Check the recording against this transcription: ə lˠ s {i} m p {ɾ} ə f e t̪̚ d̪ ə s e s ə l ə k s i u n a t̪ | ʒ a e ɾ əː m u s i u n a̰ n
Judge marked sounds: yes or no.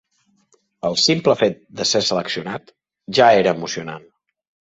yes, no

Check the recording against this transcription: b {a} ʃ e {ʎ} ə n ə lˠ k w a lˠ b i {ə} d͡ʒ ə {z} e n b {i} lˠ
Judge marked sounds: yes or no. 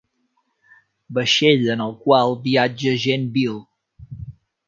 no, yes, no, no, yes

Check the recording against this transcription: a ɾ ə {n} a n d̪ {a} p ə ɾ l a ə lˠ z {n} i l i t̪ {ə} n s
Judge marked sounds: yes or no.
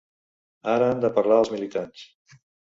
no, no, no, no

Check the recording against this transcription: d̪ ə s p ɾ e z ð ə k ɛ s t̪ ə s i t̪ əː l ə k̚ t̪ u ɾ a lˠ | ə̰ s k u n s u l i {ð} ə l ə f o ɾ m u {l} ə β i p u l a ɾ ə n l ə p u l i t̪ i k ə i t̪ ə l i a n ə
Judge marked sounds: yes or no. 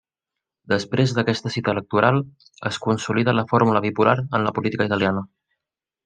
yes, yes

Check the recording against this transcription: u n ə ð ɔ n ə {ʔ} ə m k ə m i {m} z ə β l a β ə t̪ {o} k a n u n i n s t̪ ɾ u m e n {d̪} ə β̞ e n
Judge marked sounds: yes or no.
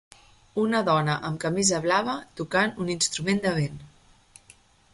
yes, no, no, yes

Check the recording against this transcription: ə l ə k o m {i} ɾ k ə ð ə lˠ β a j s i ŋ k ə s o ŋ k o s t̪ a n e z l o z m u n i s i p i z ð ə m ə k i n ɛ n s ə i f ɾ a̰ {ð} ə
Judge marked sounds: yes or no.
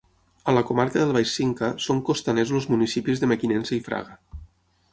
no, no

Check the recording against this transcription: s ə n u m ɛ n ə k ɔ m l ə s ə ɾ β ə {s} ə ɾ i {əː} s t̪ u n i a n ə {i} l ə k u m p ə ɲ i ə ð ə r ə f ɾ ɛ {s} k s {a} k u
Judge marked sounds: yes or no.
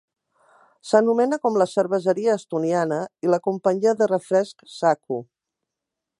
no, yes, yes, yes, yes

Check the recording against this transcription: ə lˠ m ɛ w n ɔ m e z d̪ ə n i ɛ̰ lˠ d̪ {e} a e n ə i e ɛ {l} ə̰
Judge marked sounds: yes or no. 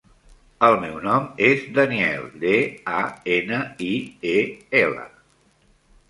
yes, yes

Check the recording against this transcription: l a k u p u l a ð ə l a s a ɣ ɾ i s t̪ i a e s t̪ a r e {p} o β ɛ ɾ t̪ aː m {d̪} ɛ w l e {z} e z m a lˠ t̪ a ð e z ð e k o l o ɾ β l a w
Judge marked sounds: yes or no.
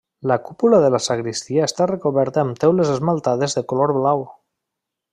no, no, yes

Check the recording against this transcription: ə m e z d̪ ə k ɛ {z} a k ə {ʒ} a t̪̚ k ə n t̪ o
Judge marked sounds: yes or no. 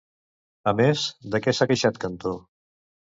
no, no

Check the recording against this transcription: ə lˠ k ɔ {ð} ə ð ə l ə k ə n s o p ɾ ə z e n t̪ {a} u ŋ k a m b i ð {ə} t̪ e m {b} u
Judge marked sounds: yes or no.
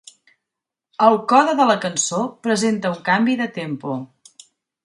yes, no, yes, no

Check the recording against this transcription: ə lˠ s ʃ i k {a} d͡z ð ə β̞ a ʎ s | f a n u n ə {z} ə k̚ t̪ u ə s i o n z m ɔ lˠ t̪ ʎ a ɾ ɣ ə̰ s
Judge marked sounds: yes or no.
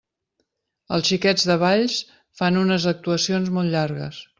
no, yes

